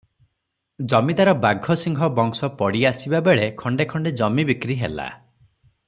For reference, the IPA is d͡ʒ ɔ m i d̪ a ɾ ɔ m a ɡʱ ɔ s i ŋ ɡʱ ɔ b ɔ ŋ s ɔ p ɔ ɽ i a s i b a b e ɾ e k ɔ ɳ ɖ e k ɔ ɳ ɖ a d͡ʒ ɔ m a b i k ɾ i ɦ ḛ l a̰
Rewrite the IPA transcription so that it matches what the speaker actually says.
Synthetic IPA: d͡ʒ ɔ m i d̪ a ɾ ɔ b a ɡʱ ɔ s i ŋ ɡʱ ɔ b ɔ ŋ s ɔ p ɔ ɽ i a s i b a b e ɭ e kʰ ɔ ɳ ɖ e kʰ ɔ ɳ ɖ e d͡ʒ ɔ m i b i k ɾ i ɦ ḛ l a̰